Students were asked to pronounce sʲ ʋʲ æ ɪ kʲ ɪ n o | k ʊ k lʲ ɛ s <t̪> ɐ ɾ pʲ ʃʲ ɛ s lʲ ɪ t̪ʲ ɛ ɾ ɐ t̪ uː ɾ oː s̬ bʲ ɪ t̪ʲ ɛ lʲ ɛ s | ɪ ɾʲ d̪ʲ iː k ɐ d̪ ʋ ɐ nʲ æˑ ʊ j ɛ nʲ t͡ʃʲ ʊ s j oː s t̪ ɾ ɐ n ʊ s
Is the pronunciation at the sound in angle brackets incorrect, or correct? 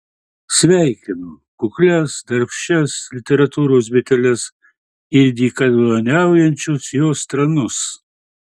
incorrect